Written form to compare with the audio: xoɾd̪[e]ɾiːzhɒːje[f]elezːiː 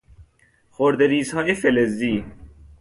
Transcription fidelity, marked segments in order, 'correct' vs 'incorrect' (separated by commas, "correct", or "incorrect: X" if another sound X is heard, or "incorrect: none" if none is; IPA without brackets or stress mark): correct, correct